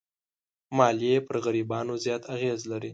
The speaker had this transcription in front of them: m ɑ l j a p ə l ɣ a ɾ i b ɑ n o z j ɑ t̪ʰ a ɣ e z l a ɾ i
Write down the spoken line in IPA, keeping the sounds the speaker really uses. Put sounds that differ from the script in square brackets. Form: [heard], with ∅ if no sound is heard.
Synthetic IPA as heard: m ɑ l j [e] p ə [ɾ] ɣ a ɾ i b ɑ n o z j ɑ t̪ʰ a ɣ e z l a ɾ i